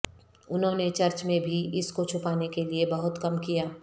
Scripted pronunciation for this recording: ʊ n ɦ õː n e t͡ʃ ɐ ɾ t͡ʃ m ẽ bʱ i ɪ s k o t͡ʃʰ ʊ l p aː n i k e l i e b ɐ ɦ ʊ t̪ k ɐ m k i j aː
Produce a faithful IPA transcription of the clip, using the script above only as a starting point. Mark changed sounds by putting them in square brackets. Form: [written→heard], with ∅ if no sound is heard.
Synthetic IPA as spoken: ʊ n ɦ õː n e t͡ʃ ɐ ɾ t͡ʃ m ẽ bʱ i ɪ s k o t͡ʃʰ ʊ [l→∅] p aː n [i→e] k e l i e b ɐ ɦ ʊ t̪ k ɐ m k i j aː